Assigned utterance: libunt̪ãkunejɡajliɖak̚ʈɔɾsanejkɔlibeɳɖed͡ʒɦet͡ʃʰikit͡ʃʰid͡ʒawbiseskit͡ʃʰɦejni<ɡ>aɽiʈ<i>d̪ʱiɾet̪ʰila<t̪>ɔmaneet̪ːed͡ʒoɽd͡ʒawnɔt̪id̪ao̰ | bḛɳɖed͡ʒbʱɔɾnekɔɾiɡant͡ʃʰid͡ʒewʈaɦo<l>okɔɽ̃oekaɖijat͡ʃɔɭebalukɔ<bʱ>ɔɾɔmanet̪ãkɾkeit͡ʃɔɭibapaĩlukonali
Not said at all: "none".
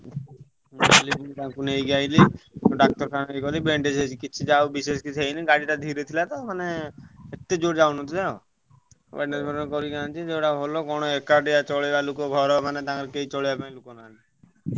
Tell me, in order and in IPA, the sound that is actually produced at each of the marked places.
ɡ, a, t̪, l, ɡʱ

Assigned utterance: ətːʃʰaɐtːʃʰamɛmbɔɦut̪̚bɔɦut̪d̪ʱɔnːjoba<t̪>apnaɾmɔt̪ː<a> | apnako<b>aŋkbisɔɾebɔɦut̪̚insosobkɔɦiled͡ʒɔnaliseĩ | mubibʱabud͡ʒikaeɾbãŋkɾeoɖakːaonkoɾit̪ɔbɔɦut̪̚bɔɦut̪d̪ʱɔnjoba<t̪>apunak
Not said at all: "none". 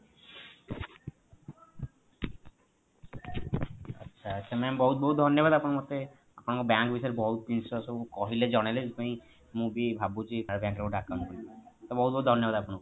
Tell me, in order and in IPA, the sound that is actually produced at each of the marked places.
d̪, e, b, d̪

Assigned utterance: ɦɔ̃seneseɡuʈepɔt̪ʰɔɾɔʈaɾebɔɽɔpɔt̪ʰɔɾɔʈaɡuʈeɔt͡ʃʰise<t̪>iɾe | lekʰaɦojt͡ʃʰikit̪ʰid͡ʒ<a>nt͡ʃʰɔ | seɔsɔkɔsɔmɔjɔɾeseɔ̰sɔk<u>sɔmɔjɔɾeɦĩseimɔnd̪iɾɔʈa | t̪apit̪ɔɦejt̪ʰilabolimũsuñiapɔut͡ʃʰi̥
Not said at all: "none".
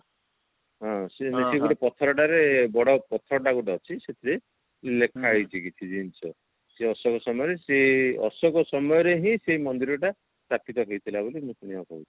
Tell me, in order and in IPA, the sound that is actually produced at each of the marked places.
t̪ʰ, i, ɔ

